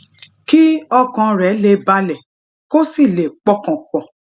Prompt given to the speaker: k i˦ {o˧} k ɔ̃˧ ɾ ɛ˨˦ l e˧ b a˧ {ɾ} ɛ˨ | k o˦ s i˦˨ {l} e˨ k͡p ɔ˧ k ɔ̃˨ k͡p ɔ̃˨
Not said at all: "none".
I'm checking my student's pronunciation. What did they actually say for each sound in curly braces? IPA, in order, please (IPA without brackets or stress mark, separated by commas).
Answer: ɔ˧, l, l